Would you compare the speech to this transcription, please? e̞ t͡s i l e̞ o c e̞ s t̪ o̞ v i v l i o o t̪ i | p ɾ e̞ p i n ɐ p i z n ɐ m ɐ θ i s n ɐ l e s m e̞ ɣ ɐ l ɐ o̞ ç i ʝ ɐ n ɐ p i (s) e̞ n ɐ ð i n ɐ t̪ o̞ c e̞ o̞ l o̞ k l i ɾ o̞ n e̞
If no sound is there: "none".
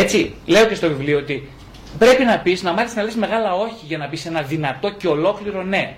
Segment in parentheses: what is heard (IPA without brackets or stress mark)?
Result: s